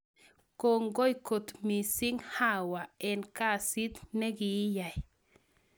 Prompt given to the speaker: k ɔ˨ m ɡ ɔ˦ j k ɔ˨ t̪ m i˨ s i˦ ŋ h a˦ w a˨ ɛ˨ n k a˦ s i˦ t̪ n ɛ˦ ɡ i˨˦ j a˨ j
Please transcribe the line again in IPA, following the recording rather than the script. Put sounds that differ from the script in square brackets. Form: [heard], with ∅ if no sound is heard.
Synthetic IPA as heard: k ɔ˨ [ŋ] ɡ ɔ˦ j k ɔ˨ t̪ m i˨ s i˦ ŋ h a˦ w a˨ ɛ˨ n k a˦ s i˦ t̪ n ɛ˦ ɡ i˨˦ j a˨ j

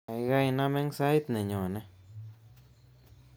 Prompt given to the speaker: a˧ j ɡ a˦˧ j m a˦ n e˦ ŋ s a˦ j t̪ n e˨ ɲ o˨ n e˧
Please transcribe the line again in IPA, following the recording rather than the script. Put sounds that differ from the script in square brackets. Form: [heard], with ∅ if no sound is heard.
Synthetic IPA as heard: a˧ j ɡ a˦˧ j [n] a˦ [m] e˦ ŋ s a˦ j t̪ n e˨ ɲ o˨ n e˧

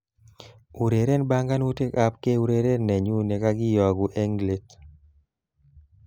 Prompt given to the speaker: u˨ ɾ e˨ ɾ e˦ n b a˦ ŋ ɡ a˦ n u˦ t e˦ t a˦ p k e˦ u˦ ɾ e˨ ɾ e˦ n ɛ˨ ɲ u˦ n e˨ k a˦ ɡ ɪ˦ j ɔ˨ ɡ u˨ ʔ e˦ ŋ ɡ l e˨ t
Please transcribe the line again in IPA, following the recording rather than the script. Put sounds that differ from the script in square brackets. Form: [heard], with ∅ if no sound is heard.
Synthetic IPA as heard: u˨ ɾ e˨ ɾ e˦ n b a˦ ŋ ɡ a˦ n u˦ t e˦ [k] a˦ p k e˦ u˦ ɾ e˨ ɾ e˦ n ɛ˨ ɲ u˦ n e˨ k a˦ ɡ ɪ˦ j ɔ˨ ɡ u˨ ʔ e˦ ŋ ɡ l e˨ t

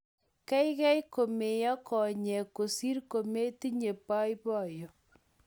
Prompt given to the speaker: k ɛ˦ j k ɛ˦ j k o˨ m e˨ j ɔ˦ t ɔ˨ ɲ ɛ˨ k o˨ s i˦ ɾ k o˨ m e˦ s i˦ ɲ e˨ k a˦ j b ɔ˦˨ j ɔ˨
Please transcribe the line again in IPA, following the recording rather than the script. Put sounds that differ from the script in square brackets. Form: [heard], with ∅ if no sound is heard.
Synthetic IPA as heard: k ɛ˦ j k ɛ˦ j k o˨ m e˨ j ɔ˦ [k] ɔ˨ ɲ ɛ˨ k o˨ s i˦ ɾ k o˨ m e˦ [t] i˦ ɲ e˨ [p] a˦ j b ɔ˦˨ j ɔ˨

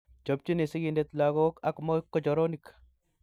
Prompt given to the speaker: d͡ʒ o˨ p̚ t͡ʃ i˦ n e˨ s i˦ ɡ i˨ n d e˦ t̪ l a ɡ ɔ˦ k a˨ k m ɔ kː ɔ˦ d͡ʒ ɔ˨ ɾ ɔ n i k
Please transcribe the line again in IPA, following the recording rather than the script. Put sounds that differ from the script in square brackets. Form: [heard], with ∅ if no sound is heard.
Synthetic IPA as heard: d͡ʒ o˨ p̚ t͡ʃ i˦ n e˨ s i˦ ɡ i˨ n d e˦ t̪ l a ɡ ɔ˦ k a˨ k m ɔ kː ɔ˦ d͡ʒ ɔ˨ ɾ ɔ n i k

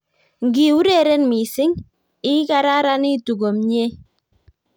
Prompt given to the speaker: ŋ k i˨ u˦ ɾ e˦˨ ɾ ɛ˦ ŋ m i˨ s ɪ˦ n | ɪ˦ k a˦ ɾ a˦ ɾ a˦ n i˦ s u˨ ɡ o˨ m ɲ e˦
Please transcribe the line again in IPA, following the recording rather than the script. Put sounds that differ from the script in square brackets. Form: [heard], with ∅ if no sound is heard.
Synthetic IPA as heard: ŋ [ɡ] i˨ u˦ ɾ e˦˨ ɾ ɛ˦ [n] m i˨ s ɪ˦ [ŋ] | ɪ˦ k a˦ ɾ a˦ ɾ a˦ n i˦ [t] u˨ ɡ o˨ m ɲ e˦

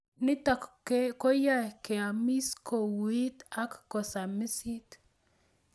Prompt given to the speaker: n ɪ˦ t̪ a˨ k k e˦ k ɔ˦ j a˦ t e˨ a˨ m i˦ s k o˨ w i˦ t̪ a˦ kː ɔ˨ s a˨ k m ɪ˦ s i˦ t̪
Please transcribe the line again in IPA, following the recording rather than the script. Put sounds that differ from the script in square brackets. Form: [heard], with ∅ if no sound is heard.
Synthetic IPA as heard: n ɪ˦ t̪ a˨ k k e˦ k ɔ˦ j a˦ [k] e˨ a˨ m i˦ s k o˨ w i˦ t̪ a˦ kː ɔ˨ s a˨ [∅] m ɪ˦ s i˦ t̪

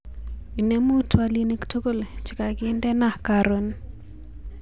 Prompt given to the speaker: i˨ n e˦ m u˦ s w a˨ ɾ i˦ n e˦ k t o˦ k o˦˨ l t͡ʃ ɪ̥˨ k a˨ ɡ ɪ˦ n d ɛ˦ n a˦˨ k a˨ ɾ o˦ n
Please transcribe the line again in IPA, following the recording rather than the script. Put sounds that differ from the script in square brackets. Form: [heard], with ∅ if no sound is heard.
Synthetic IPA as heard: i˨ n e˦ m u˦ [t] w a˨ [l] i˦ n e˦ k t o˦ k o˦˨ l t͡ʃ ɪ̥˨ k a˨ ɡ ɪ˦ n d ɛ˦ n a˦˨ k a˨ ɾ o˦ n

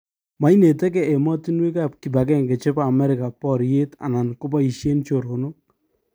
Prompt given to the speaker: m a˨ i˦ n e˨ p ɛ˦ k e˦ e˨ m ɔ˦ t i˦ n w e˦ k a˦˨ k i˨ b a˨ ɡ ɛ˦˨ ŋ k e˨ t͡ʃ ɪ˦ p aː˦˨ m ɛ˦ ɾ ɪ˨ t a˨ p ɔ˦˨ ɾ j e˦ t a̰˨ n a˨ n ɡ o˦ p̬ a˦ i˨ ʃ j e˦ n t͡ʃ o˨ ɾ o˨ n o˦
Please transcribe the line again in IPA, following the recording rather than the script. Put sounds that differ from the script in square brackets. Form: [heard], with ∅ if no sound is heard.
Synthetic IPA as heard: m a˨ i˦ n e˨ [t] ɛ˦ k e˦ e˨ m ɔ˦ t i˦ n w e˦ k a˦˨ k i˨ b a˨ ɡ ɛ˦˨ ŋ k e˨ t͡ʃ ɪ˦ p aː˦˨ m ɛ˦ ɾ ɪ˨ [k] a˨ p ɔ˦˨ ɾ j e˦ t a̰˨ n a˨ n [k] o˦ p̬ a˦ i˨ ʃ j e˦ n t͡ʃ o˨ ɾ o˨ n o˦

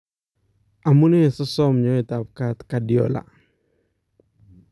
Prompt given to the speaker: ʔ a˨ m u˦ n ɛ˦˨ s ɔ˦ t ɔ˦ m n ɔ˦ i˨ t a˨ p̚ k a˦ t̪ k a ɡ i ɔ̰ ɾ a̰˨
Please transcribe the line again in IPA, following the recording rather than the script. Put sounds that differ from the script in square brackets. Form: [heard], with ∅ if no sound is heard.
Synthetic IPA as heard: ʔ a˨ m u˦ n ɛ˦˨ s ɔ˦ [s] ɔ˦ m [ɲ] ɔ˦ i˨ t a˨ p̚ k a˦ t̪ k a [d] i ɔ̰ [l] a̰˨

